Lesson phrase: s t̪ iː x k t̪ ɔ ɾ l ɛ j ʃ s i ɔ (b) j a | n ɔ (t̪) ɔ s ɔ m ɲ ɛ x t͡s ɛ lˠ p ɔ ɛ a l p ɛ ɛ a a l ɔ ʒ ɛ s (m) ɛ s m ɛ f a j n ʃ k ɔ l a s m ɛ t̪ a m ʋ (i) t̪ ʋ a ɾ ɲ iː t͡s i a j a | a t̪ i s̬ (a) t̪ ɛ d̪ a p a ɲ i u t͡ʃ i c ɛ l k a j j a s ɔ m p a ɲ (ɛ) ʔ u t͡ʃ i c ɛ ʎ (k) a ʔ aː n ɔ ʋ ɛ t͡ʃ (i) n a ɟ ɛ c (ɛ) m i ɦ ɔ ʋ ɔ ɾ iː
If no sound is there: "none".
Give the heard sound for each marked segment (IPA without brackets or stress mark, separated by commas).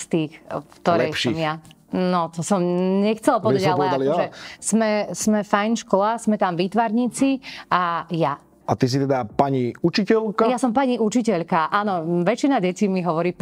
m, t̪, m, iː, i, i, k, i, i